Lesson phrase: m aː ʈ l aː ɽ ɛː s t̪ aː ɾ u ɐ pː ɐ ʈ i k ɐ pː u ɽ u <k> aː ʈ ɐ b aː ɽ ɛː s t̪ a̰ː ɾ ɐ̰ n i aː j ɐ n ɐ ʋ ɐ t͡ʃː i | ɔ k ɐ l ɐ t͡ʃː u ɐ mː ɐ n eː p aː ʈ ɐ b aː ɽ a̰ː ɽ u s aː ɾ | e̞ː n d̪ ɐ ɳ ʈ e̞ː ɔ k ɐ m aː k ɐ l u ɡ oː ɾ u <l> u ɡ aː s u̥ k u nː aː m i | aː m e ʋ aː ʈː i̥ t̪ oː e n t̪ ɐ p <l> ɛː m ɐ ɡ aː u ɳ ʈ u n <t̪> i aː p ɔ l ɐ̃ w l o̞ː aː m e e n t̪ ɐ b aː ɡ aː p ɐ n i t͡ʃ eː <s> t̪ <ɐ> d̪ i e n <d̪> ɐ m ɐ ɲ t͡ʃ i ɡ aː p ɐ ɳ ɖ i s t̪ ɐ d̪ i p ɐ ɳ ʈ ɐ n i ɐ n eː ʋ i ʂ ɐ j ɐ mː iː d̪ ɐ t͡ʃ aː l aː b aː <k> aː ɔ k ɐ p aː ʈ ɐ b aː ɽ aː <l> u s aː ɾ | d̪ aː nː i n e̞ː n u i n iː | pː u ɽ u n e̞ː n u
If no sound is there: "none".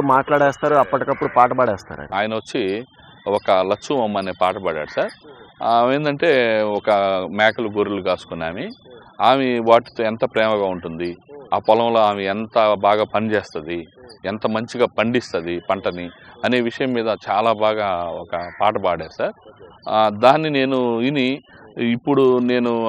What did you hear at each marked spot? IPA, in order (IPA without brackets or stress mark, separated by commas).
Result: p, l, ɾ, d̪, s, ɐ, t̪, ɡ, ɽ